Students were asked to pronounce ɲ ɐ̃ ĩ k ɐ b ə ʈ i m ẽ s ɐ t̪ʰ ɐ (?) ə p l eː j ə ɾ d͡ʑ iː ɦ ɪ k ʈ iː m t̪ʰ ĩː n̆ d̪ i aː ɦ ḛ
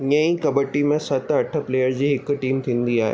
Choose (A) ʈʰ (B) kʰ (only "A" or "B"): A